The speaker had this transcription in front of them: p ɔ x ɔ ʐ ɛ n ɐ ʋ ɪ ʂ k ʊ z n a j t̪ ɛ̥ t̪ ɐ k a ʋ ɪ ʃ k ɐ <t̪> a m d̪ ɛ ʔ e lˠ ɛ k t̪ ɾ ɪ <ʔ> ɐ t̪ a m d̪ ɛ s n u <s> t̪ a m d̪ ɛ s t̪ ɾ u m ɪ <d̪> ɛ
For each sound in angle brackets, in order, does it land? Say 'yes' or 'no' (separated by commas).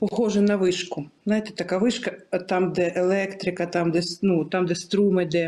yes, no, no, yes